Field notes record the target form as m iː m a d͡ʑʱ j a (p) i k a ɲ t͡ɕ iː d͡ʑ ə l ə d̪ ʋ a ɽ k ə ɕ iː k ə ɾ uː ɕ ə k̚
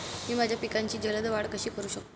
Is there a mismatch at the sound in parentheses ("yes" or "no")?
no